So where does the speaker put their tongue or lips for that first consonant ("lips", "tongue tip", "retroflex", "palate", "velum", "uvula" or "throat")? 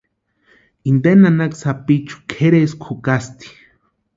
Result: tongue tip